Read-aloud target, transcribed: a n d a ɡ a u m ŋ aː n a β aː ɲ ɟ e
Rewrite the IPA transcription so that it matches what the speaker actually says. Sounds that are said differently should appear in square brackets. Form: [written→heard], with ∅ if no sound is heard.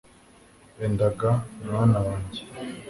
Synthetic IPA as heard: [a→e] n d a ɡ a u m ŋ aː n a [β→w] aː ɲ ɟ e